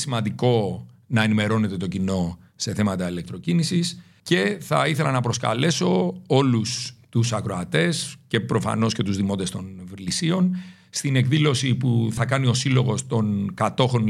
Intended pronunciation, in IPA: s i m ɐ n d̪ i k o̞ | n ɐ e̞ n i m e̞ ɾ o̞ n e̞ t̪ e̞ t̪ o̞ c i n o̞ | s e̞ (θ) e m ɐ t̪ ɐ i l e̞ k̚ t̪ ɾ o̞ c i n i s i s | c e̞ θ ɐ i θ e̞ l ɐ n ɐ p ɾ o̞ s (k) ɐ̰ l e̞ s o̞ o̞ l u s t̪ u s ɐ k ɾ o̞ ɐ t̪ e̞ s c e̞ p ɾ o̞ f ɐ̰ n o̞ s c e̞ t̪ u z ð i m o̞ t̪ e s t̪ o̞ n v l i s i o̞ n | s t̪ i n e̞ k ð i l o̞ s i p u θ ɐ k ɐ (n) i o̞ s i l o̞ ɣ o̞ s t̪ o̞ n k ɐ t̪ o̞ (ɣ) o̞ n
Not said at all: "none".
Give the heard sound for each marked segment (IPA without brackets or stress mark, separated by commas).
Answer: θ, k, n, x